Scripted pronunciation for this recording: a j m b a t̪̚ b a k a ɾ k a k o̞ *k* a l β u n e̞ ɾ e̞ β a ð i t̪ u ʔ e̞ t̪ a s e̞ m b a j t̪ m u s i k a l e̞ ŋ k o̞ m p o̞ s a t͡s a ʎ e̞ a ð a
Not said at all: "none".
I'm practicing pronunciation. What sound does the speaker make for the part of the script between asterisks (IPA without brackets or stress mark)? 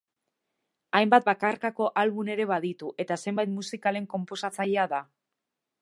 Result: ʔ